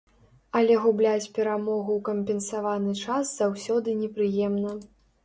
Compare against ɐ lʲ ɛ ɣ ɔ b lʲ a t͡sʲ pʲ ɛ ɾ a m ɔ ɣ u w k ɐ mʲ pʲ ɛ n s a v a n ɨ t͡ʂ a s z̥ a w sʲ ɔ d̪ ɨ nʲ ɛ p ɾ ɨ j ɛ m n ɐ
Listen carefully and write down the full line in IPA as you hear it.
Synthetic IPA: ɐ lʲ ɛ ɣ u b lʲ a t͡sʲ pʲ ɛ ɾ a m ɔ ɣ u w k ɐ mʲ pʲ ɛ n s a v a n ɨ t͡ʂ a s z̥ a w sʲ ɔ d̪ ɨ nʲ ɛ p ɾ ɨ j ɛ m n ɐ